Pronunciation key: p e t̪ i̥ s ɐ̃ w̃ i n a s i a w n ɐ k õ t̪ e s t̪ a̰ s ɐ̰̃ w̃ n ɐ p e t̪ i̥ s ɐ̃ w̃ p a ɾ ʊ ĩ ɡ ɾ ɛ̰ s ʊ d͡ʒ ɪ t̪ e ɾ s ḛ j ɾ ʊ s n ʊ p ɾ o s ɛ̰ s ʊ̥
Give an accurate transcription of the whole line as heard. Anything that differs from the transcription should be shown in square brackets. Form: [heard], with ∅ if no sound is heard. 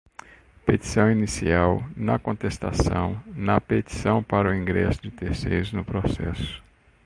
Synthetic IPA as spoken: p e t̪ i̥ s ɐ̃ w̃ i n [i] s i a w n ɐ k õ t̪ e s t̪ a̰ s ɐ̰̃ w̃ n ɐ p e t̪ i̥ s ɐ̃ w̃ p a ɾ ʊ ĩ ɡ ɾ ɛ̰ s ʊ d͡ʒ ɪ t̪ e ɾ s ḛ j ɾ ʊ [z] n ʊ p ɾ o s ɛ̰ s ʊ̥